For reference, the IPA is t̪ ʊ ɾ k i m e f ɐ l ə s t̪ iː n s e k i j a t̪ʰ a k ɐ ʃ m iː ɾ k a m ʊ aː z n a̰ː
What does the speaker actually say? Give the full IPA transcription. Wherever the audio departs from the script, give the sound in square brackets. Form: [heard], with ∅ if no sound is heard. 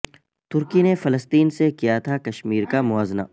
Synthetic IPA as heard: t̪ ʊ ɾ k i [n] e f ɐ l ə s t̪ iː n s e k i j a t̪ʰ a k ɐ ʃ m iː ɾ k a m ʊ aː z n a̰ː